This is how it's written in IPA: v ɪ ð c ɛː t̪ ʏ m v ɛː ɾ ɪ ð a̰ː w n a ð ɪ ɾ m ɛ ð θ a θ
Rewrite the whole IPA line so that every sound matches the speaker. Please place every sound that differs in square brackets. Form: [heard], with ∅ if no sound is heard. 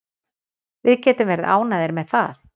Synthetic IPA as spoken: v ɪ ð c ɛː t̪ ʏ m v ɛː ɾ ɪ ð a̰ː w n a ð ɪ ɾ m ɛ ð θ a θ